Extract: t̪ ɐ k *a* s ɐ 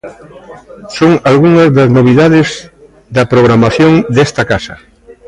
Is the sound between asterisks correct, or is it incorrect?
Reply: correct